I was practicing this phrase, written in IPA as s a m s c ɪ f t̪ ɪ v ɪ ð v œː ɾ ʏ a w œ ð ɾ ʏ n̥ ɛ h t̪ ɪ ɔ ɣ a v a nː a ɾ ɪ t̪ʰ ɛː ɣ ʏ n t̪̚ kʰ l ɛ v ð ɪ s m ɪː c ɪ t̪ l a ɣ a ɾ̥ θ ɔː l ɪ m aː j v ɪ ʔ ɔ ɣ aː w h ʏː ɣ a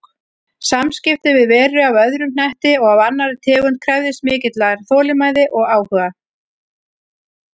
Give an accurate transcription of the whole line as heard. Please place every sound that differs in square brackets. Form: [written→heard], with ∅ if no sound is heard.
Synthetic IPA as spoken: s a m s c ɪ f t̪ ɪ v ɪ ð v [œː→ɛː] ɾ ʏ a [w→v] œ ð ɾ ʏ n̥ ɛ h t̪ ɪ ɔ ɣ a v a nː a ɾ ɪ t̪ʰ ɛː ɣ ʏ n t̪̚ kʰ [l→ɾ] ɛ v ð ɪ s m ɪː c ɪ t̪ l a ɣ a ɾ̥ θ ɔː l ɪ m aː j [v→ð] ɪ ʔ ɔ ɣ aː w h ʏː ɣ a